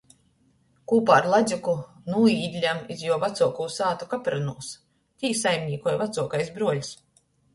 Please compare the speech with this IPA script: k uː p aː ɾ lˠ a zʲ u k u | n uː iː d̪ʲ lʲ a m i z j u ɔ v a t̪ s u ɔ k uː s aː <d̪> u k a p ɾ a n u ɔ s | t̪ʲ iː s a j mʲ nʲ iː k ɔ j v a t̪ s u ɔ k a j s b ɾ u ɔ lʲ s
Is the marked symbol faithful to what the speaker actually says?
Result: no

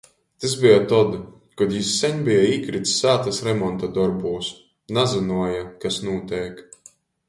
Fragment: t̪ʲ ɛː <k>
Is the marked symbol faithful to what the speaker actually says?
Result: yes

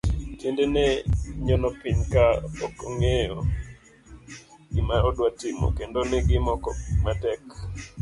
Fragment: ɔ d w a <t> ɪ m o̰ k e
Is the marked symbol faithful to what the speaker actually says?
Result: yes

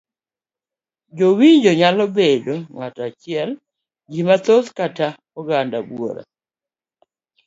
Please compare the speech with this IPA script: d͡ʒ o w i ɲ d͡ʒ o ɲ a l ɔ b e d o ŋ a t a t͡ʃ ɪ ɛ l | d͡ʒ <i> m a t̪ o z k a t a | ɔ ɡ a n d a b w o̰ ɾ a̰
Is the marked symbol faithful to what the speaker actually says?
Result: yes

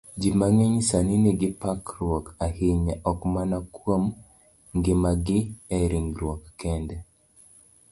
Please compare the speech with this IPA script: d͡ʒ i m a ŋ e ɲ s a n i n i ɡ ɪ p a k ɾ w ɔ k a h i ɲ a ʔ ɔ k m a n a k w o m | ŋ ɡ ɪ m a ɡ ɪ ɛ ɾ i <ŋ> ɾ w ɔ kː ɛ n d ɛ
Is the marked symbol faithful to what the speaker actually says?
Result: yes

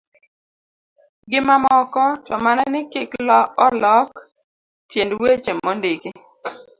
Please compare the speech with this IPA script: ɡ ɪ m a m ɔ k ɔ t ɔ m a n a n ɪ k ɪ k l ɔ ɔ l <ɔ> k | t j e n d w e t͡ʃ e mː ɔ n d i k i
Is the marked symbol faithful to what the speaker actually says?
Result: yes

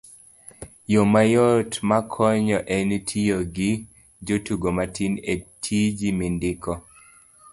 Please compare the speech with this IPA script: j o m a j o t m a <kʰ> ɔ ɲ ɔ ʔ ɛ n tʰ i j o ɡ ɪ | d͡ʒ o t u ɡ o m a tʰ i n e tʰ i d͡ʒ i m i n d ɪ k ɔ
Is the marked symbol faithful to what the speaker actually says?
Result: yes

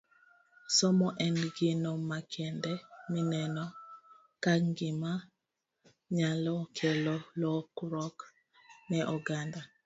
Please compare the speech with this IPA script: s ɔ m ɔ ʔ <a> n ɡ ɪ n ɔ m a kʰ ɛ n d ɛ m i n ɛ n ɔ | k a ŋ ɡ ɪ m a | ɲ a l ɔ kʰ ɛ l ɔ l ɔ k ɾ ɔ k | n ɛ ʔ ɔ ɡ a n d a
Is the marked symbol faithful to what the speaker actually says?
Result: no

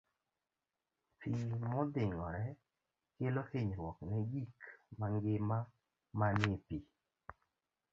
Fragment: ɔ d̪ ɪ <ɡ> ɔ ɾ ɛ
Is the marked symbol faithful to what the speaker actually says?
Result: no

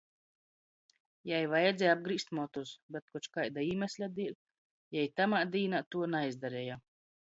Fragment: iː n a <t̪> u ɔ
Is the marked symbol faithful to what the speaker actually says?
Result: yes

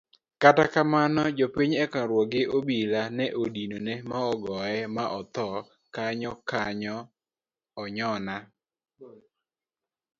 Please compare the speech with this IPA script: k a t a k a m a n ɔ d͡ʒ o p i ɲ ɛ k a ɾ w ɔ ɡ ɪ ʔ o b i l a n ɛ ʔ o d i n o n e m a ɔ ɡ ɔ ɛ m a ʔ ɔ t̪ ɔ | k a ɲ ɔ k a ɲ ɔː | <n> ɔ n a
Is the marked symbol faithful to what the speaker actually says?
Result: no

